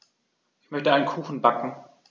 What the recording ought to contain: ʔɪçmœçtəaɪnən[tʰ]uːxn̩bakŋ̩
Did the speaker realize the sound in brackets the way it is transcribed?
no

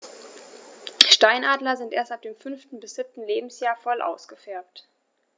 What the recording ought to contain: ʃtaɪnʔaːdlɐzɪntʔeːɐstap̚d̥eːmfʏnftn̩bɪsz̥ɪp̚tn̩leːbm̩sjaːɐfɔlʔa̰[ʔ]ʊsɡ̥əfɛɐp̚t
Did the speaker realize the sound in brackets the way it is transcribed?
no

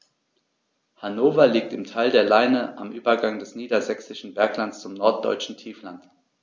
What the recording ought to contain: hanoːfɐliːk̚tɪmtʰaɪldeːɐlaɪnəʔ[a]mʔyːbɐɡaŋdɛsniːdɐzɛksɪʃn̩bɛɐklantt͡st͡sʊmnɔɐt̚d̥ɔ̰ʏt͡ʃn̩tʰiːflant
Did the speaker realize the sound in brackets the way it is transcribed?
yes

